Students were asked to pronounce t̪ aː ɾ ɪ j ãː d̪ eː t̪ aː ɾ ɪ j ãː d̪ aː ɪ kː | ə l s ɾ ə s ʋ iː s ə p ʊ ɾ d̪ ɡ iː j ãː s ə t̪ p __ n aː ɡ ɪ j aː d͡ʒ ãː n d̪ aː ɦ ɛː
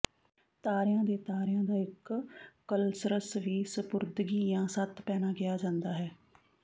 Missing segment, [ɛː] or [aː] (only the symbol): ɛː